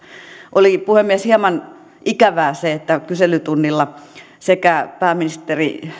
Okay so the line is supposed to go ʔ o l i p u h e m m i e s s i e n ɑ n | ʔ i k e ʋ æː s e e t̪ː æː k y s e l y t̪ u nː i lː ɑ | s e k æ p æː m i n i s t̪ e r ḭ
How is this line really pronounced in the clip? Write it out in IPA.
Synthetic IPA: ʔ o l i p u h e m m i e s h i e m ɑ n | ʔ i k æ ʋ æː s e e t̪ː æ k y s e l y t̪ u nː i lː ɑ | s e k æ p æː m i n i s t̪ e r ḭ